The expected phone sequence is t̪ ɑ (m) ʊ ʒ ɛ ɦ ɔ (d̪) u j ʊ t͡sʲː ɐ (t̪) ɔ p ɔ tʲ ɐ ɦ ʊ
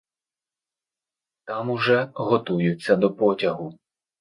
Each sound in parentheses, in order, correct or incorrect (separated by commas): correct, incorrect, incorrect